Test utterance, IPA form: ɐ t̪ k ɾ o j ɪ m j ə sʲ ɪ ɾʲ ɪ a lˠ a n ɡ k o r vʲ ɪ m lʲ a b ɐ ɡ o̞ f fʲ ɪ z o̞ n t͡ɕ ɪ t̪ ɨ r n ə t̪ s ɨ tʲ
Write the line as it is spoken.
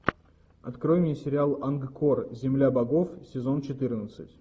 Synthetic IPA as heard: ɐ t̪ k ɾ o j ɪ m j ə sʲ ɪ ɾʲ ɪ a lˠ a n ɡ k o r zʲ ɪ m lʲ a b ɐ ɡ o̞ f sʲ ɪ z o̞ n t͡ɕ ɪ t̪ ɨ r n ə t̪ s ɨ tʲ